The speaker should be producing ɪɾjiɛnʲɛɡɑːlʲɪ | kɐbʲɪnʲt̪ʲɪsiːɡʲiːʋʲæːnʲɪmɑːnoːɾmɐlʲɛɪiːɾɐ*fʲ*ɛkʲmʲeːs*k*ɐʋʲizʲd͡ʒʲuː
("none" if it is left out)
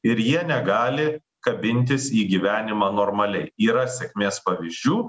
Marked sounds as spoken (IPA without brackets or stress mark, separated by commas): sʲ, p